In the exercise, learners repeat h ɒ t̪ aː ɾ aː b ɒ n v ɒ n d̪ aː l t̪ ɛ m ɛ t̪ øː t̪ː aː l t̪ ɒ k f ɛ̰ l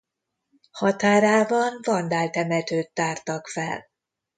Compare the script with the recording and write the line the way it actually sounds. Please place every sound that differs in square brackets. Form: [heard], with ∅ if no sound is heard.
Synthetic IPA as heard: h ɒ t̪ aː ɾ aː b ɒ n v ɒ n d̪ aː l t̪ ɛ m ɛ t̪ øː t̪ː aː [r] t̪ ɒ k f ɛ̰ l